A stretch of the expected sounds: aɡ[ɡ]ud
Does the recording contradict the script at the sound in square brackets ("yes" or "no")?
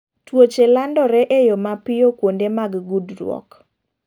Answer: no